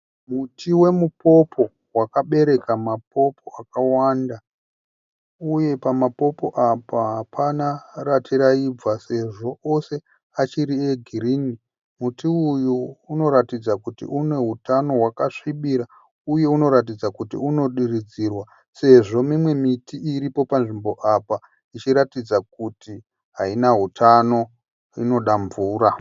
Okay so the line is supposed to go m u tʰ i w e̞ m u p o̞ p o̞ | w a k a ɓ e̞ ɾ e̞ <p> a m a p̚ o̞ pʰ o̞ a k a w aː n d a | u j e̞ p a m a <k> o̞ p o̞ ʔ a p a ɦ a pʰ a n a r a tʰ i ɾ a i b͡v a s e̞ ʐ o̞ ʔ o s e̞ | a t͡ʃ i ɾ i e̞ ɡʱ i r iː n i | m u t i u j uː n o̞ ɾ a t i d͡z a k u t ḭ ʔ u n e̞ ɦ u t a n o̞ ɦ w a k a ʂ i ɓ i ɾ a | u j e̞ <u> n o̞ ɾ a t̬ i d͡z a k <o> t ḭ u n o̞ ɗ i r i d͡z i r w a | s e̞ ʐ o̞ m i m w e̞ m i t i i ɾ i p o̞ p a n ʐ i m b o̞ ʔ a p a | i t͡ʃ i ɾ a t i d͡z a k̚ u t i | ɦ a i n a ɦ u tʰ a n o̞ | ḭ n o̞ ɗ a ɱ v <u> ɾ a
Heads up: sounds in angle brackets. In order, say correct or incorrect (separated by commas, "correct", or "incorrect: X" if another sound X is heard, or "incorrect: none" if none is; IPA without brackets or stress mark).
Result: incorrect: k, incorrect: p, correct, incorrect: u, incorrect: uː